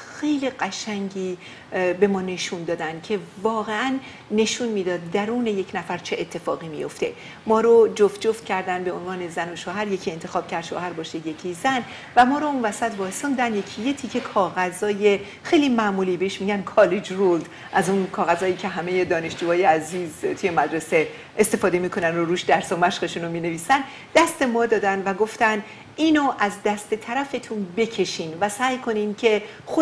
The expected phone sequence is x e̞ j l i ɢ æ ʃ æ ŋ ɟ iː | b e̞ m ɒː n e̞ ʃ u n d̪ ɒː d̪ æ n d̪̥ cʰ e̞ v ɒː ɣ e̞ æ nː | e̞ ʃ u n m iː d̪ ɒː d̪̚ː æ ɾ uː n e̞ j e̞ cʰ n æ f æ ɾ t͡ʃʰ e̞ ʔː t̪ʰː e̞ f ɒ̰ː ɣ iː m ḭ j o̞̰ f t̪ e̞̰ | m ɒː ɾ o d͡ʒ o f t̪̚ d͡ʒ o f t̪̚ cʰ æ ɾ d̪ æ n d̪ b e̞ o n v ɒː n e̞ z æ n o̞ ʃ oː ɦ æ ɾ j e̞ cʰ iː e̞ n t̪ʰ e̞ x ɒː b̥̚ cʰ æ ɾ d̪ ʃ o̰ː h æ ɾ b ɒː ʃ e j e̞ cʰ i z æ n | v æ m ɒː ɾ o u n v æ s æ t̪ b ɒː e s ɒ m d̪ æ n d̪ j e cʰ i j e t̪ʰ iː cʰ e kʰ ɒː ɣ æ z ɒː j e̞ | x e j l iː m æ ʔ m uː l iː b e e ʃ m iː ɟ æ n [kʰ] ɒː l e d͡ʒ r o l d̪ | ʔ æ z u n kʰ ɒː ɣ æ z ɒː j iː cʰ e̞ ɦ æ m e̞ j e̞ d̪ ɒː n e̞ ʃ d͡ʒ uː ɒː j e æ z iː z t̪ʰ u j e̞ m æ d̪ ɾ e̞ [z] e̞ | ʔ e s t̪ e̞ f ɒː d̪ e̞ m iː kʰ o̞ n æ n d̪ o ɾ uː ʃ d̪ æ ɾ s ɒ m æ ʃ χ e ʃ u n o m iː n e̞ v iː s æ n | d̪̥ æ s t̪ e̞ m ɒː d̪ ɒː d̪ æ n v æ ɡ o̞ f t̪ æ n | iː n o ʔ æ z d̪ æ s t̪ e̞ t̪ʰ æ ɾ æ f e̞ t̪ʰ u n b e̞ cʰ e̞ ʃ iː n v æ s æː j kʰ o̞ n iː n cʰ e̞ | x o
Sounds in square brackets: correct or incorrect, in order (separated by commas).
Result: correct, incorrect